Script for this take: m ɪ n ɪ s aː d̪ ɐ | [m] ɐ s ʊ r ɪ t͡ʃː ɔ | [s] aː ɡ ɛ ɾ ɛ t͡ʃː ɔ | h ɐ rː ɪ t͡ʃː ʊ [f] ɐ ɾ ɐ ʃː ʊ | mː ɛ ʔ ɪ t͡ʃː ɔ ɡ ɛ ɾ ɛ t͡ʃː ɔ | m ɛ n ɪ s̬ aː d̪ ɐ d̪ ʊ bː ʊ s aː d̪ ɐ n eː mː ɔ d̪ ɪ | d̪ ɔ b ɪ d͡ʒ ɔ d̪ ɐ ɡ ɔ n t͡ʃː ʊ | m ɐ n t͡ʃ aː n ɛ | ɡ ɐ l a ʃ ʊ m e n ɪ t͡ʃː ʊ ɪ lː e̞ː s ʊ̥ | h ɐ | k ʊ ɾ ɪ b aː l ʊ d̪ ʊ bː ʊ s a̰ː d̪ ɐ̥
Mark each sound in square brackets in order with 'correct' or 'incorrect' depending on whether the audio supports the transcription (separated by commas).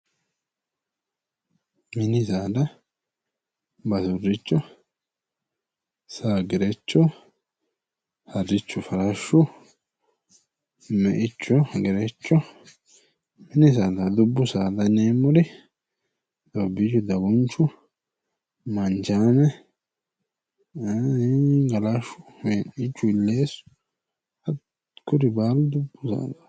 incorrect, correct, correct